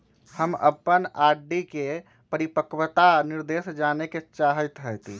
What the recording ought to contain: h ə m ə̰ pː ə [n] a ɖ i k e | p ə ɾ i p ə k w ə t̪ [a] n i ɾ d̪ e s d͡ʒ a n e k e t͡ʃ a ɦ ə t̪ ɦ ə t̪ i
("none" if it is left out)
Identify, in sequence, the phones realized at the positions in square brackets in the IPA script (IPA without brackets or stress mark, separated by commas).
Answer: n, a